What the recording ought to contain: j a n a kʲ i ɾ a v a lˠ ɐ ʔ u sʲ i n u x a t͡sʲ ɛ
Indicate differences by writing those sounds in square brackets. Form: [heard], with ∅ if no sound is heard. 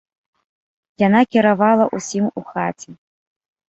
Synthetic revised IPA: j a n a kʲ i ɾ a v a lˠ ɐ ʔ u sʲ i [m] u x a t͡sʲ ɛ